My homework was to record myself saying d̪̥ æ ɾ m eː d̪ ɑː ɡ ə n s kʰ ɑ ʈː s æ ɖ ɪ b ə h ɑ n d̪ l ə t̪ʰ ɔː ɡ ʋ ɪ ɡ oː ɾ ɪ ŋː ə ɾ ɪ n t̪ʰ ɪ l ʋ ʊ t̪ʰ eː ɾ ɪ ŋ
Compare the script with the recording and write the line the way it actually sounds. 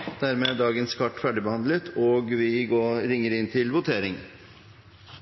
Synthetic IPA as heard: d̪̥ æ ɾ m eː d̪ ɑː ɡ ə n s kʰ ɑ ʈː f æ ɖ ɪ b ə h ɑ n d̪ l ə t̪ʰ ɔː ɡ ʋ ɪ ɡ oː ɾ ɪ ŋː ə ɾ ɪ n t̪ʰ ɪ l ʋ ʊ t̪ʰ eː ɾ ɪ ŋ

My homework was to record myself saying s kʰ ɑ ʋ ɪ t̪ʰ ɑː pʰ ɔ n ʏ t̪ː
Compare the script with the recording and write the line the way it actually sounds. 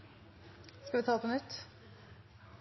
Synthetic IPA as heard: s k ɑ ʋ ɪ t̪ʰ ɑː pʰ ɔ n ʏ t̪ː

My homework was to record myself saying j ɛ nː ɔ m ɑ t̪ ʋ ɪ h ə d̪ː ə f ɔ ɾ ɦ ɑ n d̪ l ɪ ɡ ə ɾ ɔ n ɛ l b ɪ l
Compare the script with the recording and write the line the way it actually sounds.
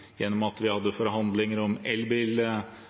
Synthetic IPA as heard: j ɛ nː ɔ m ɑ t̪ ʋ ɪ h ɑ d̪ː ə f ɔ ɾ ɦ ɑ n d̪ l ɪ ŋ ə ɾ ɔ m ɛ l b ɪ l

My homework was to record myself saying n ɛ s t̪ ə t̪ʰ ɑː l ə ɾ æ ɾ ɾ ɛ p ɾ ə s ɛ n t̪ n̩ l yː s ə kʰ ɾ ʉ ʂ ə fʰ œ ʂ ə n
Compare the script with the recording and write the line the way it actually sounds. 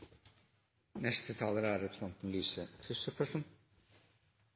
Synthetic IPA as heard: n ɛ s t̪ ə t̪ʰ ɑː l ə ɾ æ ɾ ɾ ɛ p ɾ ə s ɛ n t̪ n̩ l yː s ə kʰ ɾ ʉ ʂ ə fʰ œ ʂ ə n

